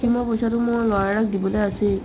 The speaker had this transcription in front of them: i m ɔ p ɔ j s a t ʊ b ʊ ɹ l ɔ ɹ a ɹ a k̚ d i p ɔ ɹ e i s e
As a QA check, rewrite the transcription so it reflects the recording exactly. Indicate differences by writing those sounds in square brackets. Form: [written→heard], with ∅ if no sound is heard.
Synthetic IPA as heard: i m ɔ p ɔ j s a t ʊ [b→m] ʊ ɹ l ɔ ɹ a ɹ a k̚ d i [p→b] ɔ [ɹ→l] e [i→a] s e